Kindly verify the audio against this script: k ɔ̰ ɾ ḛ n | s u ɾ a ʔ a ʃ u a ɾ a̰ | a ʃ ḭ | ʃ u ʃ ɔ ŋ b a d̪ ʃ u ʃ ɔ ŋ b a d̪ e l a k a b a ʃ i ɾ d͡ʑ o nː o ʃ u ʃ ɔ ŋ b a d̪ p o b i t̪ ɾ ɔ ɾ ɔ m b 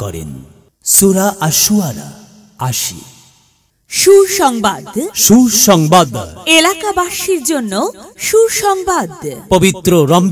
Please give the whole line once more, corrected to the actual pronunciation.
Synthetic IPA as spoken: k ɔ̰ ɾ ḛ n | s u ɾ a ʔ a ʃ u a ɾ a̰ | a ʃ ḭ | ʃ u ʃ ɔ ŋ b a d̪ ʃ u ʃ ɔ ŋ b a d̪ e l a k a b a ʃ i ɾ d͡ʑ o nː o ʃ u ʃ ɔ ŋ b a d̪ p o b i t̪ ɾ o ɾ ɔ m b